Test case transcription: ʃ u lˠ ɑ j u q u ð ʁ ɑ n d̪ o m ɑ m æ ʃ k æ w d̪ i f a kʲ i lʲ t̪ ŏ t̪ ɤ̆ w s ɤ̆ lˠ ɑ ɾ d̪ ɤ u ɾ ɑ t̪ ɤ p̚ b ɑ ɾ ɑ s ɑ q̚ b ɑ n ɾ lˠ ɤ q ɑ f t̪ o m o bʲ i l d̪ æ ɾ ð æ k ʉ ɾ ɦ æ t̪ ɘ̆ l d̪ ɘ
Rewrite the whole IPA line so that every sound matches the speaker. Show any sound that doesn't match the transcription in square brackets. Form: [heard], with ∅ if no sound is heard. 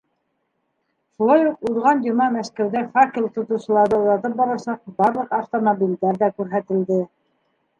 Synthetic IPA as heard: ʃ u lˠ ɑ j u q u ð ʁ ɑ n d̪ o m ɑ m æ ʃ k æ w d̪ [æ] f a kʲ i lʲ t̪ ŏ t̪ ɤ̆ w s ɤ̆ lˠ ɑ ɾ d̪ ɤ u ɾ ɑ t̪ ɤ p̚ b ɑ ɾ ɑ s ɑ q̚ b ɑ [∅] ɾ lˠ ɤ q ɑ f t̪ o m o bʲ i l d̪ æ ɾ ð æ k ʉ ɾ ɦ æ t̪ ɘ̆ l d̪ ɘ